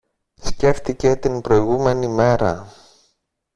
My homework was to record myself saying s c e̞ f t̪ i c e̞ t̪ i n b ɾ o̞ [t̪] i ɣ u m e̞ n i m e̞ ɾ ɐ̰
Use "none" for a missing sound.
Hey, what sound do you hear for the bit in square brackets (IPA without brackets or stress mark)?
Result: none